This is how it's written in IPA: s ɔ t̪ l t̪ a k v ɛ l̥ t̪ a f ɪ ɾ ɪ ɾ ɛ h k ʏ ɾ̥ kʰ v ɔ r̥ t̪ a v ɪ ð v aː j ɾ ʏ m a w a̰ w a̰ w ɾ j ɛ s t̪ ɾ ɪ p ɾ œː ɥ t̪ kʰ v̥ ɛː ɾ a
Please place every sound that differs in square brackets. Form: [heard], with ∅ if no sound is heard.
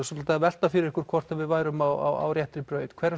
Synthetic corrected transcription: s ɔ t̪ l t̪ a [∅] v ɛ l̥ t̪ a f ɪ ɾ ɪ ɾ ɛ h k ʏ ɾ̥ kʰ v ɔ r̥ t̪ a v ɪ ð v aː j ɾ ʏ m a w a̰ w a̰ w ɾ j ɛ [h] t̪ ɾ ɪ p ɾ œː ɥ t̪ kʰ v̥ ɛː ɾ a